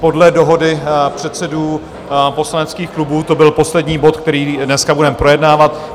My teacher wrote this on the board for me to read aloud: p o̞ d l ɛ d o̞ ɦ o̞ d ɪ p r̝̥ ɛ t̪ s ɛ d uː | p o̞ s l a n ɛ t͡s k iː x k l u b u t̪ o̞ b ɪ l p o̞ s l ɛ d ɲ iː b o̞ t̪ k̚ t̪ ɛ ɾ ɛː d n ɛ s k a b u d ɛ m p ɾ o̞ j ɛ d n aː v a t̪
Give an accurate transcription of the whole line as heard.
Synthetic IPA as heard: p o̞ d l ɛ d o̞ ɦ o̞ d ɪ p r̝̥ ɛ t̪ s ɛ d uː | p o̞ s l a n ɛ t͡s k iː x k l u b uː t̪ o̞ b ɪ l p o̞ s l ɛ d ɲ iː b o̞ t̪ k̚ t̪ ɛ ɾ iː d n ɛ s k a b u d ɛ m p ɾ o̞ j ɛ d n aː v a t̪